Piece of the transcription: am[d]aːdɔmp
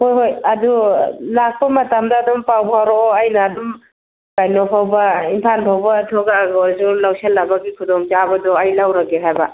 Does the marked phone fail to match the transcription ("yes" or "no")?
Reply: no